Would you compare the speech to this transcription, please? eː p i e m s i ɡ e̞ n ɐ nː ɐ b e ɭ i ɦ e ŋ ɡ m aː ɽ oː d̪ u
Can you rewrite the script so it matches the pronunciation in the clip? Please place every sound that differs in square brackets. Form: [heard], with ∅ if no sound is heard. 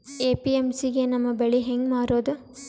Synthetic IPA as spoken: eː p i e m s i ɡ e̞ n ɐ [mː] ɐ b e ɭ i ɦ e ŋ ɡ m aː [ɾ] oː d̪ u